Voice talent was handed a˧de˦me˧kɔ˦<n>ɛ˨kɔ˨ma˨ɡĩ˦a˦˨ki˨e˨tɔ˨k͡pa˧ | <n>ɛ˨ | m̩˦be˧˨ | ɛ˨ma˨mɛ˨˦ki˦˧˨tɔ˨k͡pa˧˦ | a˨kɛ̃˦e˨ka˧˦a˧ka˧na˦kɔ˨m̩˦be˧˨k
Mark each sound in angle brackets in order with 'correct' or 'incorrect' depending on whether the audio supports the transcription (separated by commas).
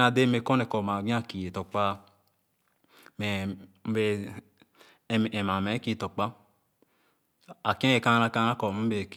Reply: correct, incorrect